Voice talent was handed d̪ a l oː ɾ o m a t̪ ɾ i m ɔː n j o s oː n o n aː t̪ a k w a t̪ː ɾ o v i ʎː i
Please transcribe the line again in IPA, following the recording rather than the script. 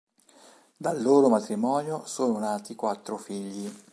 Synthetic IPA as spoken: d̪ a lː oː ɾ o m a t̪ ɾ i m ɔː n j o s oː n o n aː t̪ i k w a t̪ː ɾ o f i ʎː i